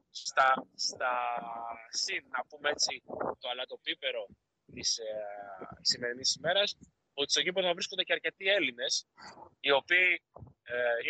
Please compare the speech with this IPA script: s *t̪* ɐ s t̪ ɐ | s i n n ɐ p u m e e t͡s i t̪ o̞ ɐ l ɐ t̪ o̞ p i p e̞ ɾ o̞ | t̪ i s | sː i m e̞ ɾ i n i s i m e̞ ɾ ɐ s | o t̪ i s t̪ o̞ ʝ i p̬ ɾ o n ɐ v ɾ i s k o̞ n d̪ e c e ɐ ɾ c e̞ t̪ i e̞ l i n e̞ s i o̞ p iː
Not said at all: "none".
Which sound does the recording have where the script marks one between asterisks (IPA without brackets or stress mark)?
t̪